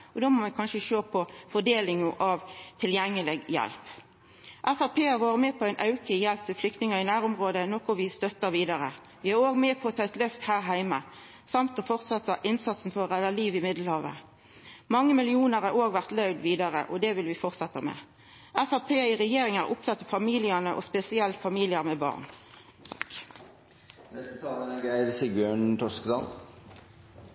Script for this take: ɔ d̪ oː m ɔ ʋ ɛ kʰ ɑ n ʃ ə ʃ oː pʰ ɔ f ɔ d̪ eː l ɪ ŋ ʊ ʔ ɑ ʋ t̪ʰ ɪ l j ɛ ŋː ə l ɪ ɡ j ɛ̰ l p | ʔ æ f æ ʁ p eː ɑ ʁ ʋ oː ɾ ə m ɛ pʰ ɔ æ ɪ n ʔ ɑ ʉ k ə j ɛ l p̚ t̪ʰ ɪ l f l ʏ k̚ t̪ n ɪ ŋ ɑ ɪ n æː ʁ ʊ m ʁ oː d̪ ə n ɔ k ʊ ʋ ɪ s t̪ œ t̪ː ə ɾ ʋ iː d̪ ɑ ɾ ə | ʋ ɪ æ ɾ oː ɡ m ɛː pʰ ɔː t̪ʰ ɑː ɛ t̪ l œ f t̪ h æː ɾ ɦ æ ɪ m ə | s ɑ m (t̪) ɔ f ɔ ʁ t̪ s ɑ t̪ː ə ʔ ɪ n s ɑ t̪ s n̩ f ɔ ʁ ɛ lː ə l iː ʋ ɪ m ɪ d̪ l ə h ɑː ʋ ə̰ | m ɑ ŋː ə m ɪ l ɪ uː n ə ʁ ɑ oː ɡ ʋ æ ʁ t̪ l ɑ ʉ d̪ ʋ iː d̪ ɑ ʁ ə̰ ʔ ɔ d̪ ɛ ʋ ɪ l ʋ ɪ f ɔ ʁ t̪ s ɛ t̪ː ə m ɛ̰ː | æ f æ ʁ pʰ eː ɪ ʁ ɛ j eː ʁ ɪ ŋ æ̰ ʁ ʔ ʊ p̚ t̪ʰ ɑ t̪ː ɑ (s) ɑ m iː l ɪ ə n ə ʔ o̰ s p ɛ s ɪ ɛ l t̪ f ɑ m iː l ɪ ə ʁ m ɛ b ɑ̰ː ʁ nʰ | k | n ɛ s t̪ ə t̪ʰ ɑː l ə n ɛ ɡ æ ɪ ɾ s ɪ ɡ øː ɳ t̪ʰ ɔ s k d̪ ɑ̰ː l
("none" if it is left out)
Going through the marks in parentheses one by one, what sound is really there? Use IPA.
t̪, f

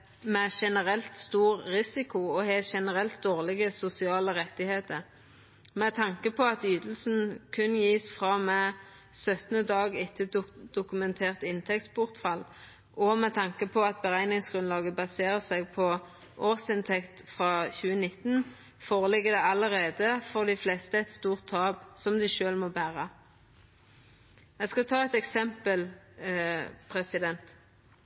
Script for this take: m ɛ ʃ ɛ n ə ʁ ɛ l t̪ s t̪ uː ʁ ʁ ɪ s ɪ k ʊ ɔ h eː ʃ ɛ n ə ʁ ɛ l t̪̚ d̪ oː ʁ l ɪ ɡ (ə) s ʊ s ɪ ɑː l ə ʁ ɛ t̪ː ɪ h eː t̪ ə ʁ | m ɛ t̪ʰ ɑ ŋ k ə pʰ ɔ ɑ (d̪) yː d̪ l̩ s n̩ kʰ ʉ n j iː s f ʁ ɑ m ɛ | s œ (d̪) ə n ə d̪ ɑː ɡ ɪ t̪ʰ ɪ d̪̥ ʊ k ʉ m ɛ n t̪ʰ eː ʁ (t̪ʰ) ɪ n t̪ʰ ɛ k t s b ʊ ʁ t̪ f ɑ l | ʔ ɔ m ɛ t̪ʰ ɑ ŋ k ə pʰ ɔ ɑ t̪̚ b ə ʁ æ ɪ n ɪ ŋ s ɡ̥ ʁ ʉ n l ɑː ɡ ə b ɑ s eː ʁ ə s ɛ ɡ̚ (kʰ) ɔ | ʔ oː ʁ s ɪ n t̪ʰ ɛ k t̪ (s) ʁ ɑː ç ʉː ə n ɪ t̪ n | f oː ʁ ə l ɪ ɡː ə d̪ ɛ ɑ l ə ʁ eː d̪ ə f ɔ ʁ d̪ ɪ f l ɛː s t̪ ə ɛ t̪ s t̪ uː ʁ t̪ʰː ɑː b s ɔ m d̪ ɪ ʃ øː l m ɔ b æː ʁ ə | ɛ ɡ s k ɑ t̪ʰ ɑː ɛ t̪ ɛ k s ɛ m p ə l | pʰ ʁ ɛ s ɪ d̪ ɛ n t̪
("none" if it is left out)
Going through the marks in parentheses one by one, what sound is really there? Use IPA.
ə, t̪, t̪, t̪, pʰ, f

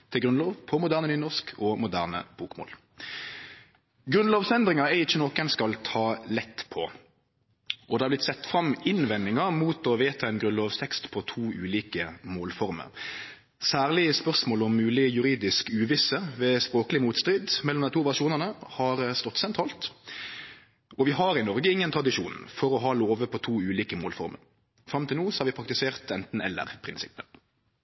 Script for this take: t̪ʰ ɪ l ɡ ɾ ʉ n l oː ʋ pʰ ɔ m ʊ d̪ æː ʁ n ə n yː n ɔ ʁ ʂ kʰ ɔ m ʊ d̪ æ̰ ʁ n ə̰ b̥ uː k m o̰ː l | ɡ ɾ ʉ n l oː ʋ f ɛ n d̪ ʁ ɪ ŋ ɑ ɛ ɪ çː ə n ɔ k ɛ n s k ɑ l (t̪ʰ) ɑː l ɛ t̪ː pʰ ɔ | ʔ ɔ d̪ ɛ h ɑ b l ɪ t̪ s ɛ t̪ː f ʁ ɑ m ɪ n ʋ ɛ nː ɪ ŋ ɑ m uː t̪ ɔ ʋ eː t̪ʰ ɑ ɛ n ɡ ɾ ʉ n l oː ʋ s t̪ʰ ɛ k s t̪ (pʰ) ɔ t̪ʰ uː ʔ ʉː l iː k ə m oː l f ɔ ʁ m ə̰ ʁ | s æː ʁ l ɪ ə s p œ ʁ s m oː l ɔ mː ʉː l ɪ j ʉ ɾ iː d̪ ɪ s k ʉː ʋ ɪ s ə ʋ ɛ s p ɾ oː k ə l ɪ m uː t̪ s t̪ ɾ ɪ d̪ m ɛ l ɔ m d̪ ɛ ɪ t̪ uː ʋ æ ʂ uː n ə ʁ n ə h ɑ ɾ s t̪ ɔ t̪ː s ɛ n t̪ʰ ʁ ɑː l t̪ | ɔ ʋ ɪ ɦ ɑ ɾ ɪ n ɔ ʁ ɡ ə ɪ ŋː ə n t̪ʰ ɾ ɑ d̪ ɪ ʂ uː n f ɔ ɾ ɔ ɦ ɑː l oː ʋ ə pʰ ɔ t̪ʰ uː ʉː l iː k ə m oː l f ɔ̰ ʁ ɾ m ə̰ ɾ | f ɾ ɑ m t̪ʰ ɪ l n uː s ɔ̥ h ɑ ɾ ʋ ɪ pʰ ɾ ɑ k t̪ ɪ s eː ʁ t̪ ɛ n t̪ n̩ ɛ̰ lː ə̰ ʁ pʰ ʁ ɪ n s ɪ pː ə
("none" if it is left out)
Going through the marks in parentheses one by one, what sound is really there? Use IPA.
t̪ʰ, pʰ

